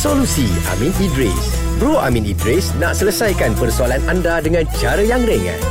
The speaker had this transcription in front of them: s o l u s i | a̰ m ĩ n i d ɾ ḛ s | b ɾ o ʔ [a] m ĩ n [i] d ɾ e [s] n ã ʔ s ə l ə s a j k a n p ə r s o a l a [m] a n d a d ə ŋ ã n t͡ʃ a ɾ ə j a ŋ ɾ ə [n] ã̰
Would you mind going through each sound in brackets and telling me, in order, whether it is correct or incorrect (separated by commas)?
correct, correct, correct, incorrect, incorrect